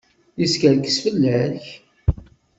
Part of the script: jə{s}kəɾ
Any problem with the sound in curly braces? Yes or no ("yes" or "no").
no